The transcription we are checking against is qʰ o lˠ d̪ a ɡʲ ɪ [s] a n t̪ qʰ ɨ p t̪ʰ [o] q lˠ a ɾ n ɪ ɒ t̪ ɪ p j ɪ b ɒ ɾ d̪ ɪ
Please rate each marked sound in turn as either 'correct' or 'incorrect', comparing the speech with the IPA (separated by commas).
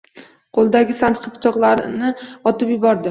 correct, incorrect